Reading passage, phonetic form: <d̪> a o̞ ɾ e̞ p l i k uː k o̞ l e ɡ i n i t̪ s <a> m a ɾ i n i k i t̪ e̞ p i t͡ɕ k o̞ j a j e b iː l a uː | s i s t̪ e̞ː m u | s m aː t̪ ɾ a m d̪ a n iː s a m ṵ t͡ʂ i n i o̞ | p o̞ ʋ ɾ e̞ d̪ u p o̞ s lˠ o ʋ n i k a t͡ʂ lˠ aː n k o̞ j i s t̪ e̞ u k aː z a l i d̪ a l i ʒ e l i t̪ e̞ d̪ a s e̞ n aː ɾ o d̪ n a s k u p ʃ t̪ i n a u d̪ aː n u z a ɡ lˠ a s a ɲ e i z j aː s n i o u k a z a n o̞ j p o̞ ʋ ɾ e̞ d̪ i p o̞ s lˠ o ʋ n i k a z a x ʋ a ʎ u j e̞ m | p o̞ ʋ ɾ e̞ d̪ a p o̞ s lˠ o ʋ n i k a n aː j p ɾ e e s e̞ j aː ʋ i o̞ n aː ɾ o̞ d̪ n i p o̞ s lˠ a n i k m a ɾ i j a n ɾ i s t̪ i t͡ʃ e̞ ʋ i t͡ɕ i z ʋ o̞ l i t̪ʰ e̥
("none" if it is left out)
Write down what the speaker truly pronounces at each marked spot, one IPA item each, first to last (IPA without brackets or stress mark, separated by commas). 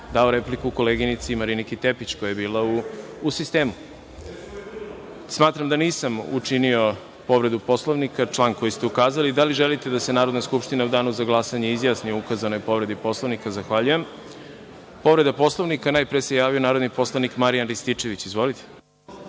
d̪, i